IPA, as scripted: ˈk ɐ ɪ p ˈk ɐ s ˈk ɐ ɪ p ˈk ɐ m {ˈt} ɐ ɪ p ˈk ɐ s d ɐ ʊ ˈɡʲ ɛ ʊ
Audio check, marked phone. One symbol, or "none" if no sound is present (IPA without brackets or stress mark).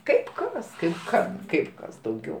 k